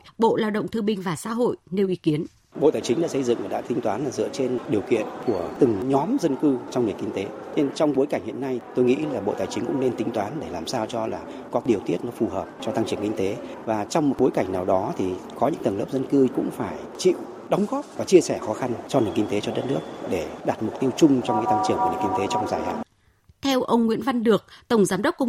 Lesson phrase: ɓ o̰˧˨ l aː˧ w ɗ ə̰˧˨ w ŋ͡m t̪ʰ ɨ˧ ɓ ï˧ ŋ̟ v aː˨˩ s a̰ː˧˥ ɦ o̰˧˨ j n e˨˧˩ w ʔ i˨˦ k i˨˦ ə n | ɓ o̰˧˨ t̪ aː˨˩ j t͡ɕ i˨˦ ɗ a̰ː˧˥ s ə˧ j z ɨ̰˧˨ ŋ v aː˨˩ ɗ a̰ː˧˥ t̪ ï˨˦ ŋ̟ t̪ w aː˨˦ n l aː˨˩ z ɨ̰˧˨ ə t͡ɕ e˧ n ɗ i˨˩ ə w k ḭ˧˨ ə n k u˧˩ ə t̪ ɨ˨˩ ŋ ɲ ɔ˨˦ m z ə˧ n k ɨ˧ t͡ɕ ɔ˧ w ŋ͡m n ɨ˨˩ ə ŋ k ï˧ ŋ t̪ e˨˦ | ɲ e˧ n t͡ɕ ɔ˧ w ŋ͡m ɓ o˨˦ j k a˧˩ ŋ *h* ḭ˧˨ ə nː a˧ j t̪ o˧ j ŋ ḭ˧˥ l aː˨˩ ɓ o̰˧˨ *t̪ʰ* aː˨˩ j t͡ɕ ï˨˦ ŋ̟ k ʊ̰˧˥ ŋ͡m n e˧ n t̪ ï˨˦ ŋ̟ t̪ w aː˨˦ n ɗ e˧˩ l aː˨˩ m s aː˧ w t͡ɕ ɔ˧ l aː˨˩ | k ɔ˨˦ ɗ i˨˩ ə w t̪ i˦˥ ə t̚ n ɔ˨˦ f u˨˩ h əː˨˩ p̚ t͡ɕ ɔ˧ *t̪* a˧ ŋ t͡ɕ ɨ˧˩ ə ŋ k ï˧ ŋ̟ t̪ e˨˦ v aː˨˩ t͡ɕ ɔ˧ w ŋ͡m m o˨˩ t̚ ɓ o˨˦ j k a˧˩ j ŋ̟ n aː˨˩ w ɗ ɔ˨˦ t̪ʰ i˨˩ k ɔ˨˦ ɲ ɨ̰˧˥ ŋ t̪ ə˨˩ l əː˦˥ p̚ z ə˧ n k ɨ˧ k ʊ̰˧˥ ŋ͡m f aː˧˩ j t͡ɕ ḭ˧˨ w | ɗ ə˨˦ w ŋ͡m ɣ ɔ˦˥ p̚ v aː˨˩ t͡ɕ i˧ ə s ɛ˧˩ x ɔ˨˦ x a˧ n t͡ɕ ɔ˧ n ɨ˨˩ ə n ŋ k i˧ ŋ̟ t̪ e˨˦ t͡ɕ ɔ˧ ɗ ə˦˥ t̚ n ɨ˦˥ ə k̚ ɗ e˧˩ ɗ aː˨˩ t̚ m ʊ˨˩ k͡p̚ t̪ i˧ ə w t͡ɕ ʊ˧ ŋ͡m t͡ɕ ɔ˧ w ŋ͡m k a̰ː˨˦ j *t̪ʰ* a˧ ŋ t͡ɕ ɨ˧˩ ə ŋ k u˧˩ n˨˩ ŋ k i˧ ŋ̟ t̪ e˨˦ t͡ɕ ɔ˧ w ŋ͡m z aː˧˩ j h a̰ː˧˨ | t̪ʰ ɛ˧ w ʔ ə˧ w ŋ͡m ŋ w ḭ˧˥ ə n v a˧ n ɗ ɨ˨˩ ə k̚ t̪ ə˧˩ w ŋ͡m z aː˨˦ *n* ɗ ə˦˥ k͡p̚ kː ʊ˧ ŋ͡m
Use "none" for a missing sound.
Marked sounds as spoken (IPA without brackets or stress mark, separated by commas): h, t̪, t̪, t̪, m